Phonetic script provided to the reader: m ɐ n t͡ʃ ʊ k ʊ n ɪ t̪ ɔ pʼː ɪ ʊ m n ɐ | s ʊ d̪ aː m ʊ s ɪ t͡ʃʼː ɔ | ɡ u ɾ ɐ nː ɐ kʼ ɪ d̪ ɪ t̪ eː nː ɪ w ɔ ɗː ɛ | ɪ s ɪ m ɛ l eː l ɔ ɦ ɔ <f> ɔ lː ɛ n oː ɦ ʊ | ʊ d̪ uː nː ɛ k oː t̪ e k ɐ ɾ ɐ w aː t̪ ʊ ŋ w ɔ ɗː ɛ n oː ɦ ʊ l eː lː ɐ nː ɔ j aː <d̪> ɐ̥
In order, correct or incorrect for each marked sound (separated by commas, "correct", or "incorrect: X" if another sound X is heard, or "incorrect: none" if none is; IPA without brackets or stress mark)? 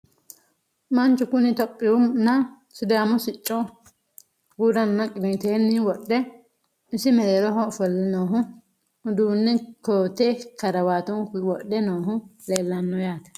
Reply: correct, incorrect: t̪